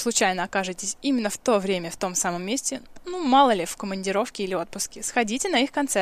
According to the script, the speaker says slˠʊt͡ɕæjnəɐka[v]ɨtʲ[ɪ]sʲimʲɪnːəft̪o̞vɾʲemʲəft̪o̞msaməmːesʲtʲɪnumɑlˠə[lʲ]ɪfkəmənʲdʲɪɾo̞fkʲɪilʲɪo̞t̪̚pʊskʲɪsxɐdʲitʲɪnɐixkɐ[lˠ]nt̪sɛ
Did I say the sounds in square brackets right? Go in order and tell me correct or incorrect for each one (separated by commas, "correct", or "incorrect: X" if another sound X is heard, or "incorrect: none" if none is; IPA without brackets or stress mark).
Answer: incorrect: ʐ, correct, correct, incorrect: none